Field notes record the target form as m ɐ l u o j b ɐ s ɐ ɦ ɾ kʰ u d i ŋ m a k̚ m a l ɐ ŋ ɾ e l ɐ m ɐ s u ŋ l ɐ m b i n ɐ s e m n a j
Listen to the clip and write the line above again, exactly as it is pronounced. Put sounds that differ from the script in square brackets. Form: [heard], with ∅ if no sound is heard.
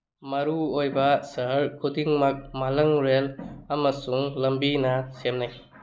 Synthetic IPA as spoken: m ɐ [ɾ] u o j b ɐ s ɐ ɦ ɾ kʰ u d i ŋ m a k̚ m a l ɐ ŋ ɾ e l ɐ m ɐ s u ŋ l ɐ m b i n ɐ s e m n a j